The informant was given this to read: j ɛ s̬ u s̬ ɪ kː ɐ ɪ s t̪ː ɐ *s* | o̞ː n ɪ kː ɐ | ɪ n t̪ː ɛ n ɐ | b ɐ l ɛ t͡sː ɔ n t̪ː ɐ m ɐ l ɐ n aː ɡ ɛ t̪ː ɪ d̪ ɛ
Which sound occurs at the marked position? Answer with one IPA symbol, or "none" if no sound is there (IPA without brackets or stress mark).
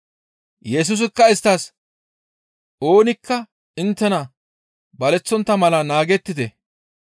s